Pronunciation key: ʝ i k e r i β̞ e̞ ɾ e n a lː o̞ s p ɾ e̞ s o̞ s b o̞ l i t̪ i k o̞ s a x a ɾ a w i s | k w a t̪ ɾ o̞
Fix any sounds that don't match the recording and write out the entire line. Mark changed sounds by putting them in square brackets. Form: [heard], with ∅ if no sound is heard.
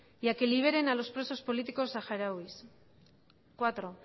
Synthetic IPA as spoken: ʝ [a] k e [l] i β̞ e̞ ɾ e n a [l] o̞ s p ɾ e̞ s o̞ s [p] o̞ l i t̪ i k o̞ s a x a ɾ a w i s | k w a t̪ ɾ o̞